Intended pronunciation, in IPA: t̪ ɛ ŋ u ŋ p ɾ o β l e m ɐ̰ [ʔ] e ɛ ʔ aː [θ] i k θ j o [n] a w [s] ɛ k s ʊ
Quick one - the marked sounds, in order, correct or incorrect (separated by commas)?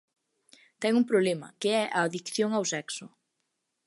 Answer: incorrect, incorrect, incorrect, correct